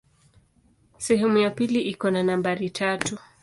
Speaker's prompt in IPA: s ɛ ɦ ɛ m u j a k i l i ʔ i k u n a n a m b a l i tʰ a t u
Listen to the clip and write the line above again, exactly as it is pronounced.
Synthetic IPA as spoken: s ɛ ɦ ɛ m u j a p i l i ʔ i k ɔ n a n a m b a ɾ i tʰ a t u